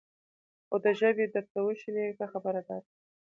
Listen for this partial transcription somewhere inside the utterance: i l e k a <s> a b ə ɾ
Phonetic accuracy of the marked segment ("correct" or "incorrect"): incorrect